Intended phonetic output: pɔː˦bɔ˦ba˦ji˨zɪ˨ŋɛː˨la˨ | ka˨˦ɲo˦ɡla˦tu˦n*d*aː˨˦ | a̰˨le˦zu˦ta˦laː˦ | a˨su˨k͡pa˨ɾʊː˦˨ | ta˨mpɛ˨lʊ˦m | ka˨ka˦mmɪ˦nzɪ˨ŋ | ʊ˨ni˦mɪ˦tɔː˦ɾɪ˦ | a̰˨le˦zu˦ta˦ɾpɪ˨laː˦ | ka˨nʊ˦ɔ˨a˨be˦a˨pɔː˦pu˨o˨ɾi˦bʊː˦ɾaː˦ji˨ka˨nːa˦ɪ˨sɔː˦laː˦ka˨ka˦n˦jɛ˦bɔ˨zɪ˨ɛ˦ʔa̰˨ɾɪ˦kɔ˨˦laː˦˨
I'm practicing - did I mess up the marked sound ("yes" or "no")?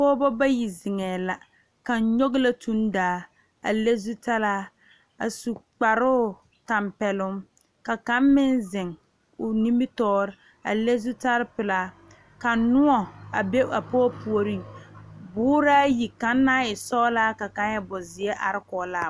no